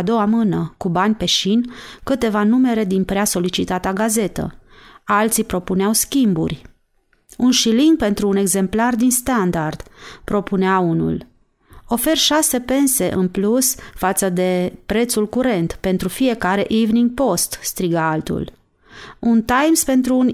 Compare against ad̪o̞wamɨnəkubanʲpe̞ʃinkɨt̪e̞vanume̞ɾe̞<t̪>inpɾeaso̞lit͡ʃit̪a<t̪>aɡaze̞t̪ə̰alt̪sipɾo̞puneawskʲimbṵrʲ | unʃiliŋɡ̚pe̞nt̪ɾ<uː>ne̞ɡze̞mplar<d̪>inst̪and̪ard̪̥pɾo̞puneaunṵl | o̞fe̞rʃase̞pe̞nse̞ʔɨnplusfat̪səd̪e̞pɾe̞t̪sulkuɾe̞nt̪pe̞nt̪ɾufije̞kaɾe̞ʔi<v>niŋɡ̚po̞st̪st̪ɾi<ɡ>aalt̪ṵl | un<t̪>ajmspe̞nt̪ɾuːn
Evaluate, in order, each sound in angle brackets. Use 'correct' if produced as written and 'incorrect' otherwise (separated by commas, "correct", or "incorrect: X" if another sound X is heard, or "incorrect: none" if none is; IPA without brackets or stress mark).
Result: incorrect: d̪, correct, correct, correct, correct, correct, correct